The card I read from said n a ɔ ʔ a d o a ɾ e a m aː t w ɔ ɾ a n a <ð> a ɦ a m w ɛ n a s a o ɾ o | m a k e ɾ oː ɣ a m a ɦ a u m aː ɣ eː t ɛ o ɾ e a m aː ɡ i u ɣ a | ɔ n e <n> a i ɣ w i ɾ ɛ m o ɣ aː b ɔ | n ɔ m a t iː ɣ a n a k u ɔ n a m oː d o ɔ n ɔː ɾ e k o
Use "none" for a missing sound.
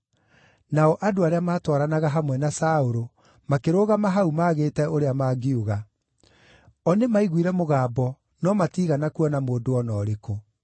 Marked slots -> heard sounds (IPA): ɣ, m

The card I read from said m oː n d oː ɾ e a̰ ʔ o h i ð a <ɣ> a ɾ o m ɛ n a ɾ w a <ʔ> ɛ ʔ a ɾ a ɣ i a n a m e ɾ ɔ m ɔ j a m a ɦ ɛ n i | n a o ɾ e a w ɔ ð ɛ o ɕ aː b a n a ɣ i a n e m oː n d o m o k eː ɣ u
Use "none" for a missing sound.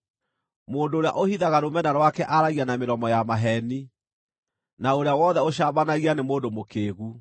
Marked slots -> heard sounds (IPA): ɣ, k

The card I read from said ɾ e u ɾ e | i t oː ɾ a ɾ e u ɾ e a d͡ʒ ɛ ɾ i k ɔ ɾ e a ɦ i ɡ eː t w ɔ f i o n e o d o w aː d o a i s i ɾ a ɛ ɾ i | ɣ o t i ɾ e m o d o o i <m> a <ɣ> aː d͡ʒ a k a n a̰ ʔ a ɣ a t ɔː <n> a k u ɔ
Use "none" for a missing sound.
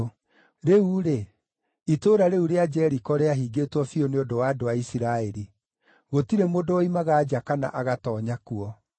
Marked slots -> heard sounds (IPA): m, ɣ, ɲ

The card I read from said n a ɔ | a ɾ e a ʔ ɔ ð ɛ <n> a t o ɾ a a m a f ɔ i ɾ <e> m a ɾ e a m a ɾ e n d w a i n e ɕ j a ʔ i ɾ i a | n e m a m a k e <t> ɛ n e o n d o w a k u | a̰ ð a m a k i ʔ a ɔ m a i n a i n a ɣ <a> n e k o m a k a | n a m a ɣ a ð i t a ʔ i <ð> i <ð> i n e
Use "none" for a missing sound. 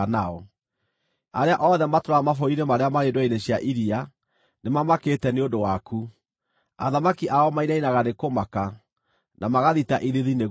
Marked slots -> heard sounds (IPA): m, e, t, a, ð, ð

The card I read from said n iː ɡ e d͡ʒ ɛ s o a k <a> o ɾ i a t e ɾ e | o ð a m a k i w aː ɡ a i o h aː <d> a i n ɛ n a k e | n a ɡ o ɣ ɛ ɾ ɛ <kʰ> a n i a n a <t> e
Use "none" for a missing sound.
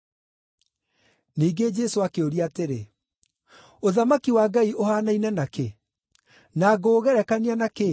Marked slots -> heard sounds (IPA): e, n, k, k

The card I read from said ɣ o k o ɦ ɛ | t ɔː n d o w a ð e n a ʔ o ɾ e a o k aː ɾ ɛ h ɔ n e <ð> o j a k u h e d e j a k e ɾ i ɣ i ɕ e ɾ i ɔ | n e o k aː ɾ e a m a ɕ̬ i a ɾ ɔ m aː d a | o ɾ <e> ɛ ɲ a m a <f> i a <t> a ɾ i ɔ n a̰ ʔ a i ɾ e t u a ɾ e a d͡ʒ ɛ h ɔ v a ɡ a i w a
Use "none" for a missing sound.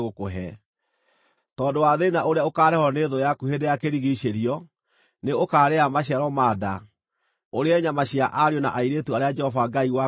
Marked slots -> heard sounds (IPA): ð, e, ɕ, ʔ

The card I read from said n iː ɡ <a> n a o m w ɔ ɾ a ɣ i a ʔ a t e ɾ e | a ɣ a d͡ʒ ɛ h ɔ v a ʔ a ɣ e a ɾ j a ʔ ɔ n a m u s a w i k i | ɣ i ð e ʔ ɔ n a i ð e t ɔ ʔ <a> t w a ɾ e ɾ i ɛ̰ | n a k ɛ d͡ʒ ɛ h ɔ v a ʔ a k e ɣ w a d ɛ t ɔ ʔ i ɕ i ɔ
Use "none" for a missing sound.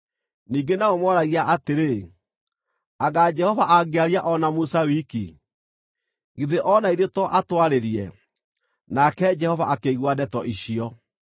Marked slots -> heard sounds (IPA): e, a

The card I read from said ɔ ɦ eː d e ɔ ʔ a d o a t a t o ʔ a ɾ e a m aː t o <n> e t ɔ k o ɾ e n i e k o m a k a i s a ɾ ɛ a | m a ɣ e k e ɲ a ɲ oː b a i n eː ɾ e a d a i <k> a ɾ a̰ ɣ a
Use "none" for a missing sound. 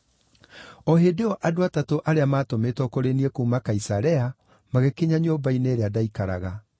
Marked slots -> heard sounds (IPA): m, k

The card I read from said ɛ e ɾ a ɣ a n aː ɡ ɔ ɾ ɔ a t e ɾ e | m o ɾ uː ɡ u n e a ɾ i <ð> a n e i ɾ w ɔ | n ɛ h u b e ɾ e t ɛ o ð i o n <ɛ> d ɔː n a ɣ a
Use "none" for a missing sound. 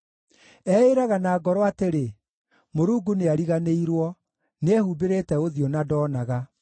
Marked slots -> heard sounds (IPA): ɣ, a

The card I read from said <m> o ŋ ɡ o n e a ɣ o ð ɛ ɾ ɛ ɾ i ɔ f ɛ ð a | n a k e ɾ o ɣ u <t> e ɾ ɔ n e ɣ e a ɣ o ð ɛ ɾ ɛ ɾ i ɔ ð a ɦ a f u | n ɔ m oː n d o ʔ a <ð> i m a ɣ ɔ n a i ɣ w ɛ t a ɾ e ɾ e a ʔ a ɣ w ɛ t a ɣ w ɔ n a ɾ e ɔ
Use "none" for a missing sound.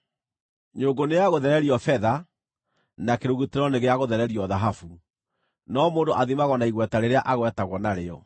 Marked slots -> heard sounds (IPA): ɲ, t, ð

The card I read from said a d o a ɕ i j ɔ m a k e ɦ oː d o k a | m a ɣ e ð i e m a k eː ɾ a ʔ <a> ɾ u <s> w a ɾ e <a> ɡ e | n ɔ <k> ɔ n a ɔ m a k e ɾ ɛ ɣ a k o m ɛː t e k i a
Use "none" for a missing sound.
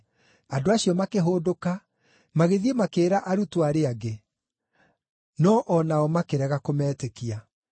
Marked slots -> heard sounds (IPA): a, t, a, ʔ

